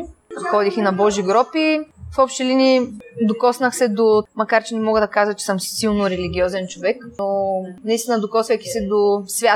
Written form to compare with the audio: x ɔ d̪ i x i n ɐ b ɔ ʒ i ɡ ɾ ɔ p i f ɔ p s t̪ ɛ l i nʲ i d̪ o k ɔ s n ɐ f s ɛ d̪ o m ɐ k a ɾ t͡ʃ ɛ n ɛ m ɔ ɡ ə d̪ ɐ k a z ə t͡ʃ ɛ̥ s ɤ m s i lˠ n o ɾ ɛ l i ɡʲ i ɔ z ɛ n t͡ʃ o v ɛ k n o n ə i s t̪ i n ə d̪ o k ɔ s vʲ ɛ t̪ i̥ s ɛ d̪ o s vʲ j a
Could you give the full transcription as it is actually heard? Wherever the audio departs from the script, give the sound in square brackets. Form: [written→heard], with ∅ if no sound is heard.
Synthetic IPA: x ɔ d̪ i x i n ɐ b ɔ ʒ i ɡ ɾ ɔ p i f ɔ p [s→ʃ] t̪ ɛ l i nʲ i d̪ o k ɔ s n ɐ [f→x] s ɛ d̪ o m ɐ k a ɾ t͡ʃ ɛ n ɛ m ɔ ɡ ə d̪ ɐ k a z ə t͡ʃ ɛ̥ s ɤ m s i lˠ n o ɾ ɛ l i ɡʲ i ɔ z ɛ n t͡ʃ o v ɛ k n o n [ə→ɐ] i s t̪ i n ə d̪ o k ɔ s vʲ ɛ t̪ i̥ s ɛ d̪ o s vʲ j a